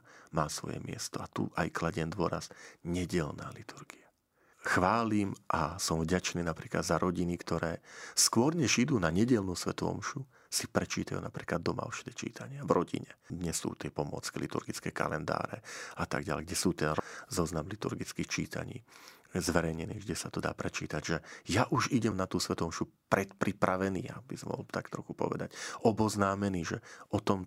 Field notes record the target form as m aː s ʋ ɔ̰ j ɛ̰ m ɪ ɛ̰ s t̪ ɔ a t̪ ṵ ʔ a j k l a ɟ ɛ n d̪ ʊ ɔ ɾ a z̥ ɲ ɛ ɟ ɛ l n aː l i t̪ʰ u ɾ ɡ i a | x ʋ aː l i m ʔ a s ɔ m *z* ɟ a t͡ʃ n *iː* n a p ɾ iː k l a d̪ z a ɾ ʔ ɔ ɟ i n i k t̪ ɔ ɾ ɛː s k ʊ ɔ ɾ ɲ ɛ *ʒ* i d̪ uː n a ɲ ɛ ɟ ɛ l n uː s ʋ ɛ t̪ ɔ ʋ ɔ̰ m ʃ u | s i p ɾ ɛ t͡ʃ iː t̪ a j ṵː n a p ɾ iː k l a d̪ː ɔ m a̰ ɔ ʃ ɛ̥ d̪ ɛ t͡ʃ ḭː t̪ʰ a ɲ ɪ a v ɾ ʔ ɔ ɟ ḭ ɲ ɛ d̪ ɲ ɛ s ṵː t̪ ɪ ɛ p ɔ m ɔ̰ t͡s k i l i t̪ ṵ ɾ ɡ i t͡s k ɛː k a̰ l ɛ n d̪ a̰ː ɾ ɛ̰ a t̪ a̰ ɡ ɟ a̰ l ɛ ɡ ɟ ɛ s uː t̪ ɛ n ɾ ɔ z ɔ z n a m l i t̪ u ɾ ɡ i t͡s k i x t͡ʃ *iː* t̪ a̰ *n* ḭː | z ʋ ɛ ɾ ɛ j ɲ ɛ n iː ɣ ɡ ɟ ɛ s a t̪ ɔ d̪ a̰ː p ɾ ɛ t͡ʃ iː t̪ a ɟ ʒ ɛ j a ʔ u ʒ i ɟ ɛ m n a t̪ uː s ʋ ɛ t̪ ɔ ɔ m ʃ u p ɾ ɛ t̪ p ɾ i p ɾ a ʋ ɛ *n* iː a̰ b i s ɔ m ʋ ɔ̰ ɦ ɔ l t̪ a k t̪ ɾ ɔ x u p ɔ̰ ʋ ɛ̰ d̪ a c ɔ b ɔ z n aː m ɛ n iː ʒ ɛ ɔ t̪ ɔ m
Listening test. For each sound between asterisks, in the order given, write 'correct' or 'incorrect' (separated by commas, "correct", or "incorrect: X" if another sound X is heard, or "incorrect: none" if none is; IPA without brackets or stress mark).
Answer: incorrect: v, correct, correct, correct, incorrect: ɲ, correct